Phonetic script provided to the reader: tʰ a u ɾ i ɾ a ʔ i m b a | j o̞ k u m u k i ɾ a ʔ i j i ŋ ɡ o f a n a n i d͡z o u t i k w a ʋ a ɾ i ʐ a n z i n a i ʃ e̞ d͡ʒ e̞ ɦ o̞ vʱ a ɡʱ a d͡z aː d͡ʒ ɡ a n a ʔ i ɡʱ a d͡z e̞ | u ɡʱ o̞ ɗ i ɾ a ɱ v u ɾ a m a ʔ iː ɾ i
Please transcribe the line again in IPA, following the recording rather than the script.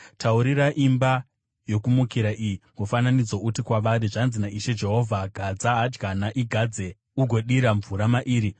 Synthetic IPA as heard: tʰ a u ɾ i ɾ a ʔ i m b a | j o̞ k u m u k i ɾ a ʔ i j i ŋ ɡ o f a n a n i d͡z o u t i k w a ʋ a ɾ i ʐ a n z i n a i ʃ e̞ d͡ʒ e̞ ɦ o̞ vʱ a ɡʱ a d͡z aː d͡ʒ ɡ a n a ʔ i ɡʱ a d͡z e̞ | u ɡʱ o̞ ɗ i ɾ a ɱ v u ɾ a m a ʔ iː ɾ i